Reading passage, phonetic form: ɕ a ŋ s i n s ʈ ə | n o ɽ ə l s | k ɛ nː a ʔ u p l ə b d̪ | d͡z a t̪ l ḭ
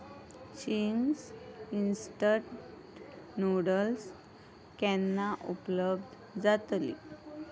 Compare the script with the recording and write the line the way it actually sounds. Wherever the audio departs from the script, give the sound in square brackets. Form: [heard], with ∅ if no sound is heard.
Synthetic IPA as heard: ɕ [i] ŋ s i n s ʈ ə | n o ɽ ə l s | k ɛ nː a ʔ u p l ə b d̪ | d͡z a t̪ l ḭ